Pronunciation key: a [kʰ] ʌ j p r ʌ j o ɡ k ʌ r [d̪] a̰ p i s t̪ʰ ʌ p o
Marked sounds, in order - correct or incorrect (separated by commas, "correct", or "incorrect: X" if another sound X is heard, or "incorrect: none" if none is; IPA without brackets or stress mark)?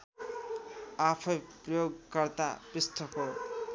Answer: incorrect: pʰ, incorrect: t̪